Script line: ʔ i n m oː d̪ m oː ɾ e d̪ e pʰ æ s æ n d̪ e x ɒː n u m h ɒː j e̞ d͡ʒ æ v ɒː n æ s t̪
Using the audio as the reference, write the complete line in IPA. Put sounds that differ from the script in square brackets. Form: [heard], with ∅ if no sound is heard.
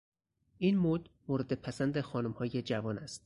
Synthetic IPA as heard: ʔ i n m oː d̪ m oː ɾ e d̪ e pʰ æ s æ n d̪ e x ɒː n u m h ɒː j e̞ d͡ʒ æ v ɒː n æ s t̪